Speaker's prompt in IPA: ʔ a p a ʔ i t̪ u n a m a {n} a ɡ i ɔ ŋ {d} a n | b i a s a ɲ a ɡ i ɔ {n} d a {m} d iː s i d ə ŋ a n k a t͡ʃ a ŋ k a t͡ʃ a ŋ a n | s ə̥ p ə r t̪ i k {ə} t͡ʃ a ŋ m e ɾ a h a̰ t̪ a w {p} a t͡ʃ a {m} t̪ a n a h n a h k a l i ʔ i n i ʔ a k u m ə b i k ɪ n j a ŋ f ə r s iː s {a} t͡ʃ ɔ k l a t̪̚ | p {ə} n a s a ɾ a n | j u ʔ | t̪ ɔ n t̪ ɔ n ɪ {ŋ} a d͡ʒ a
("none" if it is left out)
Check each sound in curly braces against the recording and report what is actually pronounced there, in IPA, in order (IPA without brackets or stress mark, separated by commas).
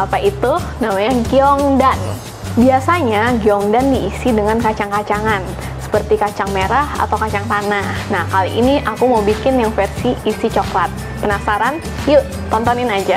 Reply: ɲ, d, ŋ, n, a, k, ŋ, i, ə, n